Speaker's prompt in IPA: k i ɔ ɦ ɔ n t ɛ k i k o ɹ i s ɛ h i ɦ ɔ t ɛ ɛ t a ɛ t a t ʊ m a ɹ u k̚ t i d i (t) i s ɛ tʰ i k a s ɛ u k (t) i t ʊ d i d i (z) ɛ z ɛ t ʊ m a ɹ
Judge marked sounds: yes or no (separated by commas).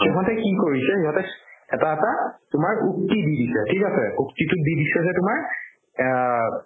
no, yes, no